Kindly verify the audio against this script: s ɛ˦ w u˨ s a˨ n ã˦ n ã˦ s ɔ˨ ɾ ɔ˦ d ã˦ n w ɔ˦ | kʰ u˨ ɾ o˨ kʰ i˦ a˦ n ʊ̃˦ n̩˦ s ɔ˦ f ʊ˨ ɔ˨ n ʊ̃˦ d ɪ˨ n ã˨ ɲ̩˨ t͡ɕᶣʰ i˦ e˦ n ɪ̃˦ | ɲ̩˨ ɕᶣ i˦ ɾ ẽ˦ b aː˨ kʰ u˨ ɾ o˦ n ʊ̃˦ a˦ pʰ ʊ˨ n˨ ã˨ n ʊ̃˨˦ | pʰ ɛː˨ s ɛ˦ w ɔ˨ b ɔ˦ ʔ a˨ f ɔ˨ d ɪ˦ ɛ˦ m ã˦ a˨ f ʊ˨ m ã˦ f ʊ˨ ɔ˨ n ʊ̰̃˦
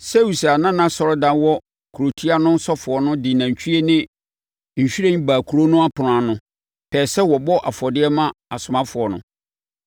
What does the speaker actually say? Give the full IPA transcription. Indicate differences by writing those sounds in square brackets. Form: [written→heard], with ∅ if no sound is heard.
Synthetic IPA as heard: s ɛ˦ w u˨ s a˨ n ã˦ n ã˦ s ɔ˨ ɾ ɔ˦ d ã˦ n w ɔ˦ | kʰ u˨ ɾ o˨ [kʰ→tʰ] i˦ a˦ n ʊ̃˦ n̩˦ s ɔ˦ f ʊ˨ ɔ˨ n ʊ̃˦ d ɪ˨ n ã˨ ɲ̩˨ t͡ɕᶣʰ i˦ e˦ n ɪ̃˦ | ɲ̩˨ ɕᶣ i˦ ɾ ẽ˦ b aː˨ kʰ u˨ ɾ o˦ n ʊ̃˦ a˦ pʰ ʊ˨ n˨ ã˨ n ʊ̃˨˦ | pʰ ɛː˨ s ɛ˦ w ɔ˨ b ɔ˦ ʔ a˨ f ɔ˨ d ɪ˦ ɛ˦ m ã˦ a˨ [f→s] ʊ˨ m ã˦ f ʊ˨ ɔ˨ n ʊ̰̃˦

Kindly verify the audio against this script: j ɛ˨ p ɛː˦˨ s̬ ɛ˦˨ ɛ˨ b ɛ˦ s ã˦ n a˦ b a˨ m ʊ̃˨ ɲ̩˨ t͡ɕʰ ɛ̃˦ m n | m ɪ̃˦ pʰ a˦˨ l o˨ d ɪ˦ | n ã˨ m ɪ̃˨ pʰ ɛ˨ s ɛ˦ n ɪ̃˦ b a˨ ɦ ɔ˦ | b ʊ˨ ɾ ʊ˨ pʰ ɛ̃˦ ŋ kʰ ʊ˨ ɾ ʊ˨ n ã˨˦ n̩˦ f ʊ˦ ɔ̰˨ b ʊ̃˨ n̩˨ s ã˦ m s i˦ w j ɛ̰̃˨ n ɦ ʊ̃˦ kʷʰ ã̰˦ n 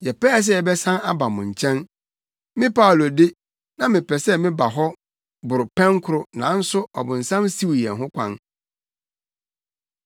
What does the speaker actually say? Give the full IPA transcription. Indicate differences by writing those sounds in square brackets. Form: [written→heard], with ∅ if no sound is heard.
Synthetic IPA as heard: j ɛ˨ p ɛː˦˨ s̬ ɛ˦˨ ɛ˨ b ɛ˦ s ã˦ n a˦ b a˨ m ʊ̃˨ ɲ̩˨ t͡ɕʰ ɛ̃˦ [m→∅] n | m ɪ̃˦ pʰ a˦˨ l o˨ d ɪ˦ | n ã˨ m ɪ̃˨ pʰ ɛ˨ s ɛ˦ [n→m] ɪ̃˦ b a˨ ɦ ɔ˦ | b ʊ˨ ɾ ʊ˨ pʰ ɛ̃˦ ŋ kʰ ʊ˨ ɾ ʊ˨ n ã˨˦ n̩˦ [f→s] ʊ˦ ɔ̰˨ b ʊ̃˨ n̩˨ s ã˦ m s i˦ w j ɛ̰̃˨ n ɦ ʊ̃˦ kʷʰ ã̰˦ n

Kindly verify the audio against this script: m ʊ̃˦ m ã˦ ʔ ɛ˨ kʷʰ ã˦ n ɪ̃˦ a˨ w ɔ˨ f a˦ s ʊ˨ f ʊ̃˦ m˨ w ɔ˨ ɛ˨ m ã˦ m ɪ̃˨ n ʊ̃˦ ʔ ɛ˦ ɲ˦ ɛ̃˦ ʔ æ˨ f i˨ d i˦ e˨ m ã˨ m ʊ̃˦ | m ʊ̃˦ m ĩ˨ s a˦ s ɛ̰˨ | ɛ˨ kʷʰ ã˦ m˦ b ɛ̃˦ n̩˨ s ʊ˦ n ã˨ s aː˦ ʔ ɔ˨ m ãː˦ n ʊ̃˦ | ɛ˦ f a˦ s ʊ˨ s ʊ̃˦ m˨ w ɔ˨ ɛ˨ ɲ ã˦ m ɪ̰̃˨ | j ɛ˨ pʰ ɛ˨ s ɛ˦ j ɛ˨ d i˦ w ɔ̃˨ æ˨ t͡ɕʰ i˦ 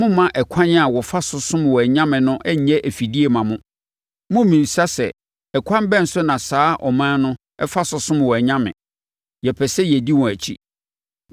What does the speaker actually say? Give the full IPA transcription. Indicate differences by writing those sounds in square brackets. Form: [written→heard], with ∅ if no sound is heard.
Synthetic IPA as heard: m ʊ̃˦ m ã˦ ʔ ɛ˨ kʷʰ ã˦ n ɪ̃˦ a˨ w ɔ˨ f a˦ s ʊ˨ [f→s] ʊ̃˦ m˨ w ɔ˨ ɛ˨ [m→ɲ] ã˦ m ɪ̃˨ n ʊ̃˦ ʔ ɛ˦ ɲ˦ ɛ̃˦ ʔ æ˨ f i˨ d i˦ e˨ m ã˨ m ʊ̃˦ | m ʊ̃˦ m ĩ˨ s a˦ s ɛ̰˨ | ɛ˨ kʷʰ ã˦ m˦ b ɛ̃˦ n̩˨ s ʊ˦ n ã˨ s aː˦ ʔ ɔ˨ m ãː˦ n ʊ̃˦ | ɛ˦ f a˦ s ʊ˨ s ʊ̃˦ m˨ w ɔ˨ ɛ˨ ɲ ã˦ m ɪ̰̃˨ | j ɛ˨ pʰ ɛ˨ s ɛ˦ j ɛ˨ d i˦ w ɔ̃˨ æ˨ t͡ɕʰ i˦

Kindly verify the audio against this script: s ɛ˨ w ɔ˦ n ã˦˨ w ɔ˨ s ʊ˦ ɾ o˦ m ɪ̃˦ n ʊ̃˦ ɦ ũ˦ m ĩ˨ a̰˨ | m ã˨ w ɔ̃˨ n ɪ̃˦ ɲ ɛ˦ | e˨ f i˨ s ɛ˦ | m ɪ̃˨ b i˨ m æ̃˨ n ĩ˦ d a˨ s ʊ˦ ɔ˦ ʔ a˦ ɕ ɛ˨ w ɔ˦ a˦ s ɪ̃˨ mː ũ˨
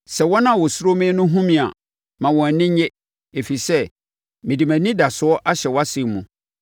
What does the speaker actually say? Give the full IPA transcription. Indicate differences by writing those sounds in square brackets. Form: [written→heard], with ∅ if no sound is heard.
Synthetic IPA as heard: s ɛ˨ w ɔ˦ n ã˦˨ w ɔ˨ s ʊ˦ ɾ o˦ m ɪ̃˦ n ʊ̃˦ ɦ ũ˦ m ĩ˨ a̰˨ | m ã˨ w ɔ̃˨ n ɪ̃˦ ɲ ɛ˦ | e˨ f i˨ s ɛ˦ | m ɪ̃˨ [b→d] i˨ m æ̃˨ n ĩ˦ d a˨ s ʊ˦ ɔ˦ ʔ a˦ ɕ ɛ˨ w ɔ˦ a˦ s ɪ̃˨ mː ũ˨

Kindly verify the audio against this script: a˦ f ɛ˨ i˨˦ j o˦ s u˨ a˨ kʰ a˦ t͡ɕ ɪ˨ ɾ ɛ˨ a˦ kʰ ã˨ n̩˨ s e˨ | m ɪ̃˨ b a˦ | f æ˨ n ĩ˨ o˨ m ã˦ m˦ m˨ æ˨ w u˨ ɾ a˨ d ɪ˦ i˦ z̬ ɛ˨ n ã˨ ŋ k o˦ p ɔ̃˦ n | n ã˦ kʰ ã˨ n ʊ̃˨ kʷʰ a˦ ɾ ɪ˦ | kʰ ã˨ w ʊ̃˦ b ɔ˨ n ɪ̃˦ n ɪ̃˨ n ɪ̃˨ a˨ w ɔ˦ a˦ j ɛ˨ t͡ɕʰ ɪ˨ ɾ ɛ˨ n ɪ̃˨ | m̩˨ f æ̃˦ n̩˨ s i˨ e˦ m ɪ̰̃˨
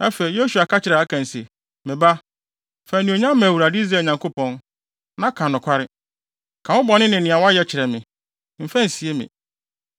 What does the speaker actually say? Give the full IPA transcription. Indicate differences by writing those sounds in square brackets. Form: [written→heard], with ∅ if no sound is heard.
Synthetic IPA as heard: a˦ f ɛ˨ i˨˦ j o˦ s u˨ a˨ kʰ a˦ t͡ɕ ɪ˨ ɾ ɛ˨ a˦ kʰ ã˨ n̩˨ s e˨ | m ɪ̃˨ b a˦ | f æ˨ n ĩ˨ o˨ [m→ɲ] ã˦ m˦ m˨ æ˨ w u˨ ɾ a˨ d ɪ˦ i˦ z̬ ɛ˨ [n→ɲ] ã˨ ŋ k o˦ p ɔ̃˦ n | n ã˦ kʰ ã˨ n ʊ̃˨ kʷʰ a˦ ɾ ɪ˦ | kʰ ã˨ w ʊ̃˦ b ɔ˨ n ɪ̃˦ n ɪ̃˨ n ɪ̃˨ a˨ w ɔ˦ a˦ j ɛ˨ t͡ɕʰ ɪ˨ ɾ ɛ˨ [n→m] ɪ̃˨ | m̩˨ f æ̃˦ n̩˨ s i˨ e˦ m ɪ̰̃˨

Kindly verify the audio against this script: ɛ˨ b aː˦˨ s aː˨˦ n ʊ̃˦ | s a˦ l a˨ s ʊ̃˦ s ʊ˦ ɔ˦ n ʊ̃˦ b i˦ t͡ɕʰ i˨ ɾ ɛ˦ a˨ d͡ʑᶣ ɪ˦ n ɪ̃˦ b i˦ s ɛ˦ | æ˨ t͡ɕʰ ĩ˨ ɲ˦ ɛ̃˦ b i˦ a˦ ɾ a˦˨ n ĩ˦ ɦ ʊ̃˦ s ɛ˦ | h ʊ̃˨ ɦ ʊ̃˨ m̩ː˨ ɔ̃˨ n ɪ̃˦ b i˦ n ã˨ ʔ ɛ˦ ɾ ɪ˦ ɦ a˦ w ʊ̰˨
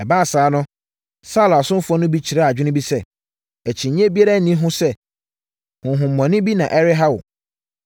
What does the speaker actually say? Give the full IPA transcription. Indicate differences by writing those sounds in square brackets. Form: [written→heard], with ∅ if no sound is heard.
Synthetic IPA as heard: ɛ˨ b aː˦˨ s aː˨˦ n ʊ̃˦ | s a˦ l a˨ s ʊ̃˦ [s→f] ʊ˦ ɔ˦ n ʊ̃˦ b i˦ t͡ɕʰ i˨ ɾ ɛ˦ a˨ d͡ʑᶣ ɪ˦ n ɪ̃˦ b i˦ s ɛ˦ | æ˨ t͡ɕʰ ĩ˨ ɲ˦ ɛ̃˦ b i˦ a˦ ɾ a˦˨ n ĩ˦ ɦ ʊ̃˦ s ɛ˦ | h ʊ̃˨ ɦ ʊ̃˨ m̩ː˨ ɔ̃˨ n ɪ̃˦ b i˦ n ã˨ ʔ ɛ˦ ɾ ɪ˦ ɦ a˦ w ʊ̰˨

